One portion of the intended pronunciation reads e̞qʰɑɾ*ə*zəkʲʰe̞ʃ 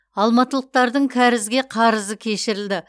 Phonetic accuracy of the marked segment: correct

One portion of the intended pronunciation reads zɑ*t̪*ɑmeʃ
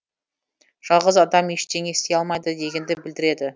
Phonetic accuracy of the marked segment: incorrect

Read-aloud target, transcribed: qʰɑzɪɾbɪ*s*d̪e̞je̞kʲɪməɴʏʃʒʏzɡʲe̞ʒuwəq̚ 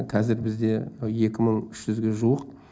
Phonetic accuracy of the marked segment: incorrect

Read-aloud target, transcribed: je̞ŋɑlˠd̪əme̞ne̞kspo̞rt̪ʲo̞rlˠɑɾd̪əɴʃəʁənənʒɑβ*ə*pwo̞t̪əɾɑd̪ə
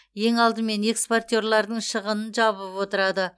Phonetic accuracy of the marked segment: correct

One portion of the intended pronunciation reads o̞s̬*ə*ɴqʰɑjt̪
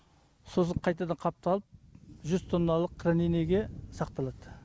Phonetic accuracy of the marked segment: correct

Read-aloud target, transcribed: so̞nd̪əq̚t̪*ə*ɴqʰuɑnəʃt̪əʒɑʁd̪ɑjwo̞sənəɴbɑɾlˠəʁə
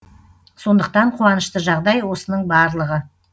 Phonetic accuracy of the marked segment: incorrect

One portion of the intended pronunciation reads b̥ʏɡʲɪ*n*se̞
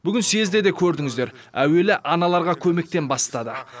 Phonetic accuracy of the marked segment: correct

